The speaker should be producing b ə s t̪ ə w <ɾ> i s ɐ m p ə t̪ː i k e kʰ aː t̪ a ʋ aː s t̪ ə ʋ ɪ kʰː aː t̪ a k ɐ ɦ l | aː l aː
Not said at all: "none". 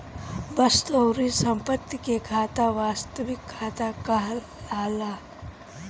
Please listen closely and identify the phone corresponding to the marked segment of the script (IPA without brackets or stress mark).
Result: ɾ